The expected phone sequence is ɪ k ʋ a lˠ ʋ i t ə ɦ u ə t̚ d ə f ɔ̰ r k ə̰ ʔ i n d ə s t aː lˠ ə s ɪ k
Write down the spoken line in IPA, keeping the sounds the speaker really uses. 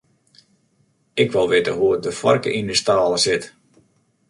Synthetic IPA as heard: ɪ k ʋ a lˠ ʋ ɪ t ə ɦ u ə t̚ d ə f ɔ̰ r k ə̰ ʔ i n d ə s t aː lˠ ə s ɪ t